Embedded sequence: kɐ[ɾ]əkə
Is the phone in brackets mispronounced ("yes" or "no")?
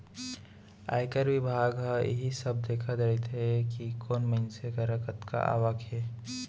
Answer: no